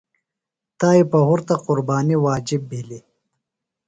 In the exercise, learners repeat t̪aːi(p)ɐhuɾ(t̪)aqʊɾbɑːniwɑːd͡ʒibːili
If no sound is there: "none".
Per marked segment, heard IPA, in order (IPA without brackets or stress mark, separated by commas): p, t̪